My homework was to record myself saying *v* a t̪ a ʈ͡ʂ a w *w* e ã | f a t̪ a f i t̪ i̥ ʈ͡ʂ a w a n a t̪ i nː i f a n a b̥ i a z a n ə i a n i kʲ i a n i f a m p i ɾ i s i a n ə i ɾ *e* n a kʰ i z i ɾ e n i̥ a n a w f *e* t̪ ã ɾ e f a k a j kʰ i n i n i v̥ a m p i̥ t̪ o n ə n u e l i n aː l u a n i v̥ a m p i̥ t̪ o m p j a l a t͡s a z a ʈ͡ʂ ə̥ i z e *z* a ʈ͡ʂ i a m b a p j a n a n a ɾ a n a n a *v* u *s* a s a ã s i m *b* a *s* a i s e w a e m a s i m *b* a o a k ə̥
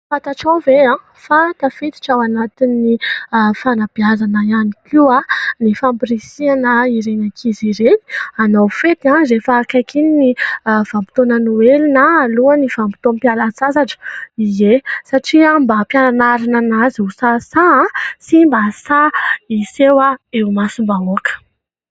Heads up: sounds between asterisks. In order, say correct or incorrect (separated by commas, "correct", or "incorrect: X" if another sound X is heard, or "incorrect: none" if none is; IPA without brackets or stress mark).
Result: incorrect: f, incorrect: v, correct, correct, incorrect: s, incorrect: z, correct, correct, correct, correct